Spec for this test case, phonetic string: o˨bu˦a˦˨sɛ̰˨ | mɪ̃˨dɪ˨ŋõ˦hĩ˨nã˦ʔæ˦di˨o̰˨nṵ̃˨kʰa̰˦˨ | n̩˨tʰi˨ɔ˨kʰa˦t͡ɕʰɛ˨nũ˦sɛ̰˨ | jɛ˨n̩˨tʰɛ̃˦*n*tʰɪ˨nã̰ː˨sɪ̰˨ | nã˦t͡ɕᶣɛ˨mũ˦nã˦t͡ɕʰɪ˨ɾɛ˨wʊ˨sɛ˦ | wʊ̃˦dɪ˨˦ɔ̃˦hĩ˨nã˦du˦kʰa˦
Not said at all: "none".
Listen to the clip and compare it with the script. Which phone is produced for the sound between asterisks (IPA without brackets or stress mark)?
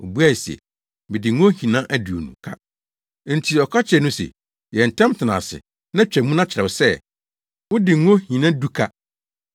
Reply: m